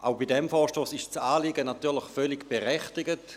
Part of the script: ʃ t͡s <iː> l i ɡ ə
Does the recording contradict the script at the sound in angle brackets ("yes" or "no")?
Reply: yes